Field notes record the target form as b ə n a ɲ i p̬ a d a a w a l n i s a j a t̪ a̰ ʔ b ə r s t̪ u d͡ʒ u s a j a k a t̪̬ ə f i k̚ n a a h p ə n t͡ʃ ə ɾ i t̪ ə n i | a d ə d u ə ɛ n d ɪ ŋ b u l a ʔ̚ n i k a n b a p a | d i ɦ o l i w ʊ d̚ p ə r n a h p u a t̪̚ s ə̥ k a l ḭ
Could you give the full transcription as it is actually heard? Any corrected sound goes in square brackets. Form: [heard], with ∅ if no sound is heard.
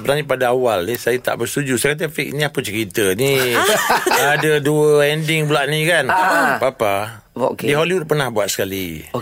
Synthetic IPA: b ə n a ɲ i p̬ a d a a w a l n i s a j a t̪ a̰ ʔ b ə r s t̪ u d͡ʒ u s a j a k a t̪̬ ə f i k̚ n [i] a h p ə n t͡ʃ ə ɾ i t̪ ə n i | a d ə d u ə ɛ n d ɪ ŋ b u l a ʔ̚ n i k a n b a p a | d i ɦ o l i w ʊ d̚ p ə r n a h [b] u a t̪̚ s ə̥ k a l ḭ